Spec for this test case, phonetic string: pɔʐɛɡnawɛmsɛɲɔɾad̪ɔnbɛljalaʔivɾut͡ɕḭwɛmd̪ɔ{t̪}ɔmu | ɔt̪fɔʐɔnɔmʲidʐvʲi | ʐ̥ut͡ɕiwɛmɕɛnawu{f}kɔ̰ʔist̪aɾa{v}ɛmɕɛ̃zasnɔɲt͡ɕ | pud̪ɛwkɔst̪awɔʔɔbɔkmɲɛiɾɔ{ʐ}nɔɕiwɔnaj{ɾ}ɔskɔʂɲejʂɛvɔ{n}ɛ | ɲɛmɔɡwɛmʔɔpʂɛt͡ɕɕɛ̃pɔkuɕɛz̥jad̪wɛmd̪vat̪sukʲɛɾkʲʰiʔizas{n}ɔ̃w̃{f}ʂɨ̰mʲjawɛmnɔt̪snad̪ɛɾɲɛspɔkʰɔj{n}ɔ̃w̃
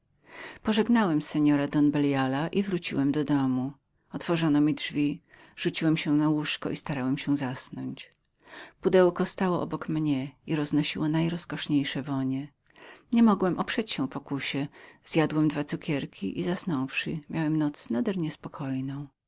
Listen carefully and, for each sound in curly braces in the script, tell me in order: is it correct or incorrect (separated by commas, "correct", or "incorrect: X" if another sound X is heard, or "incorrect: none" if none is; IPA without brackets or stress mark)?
incorrect: d̪, incorrect: ʂ, incorrect: w, incorrect: z, correct, incorrect: ɲ, correct, correct, correct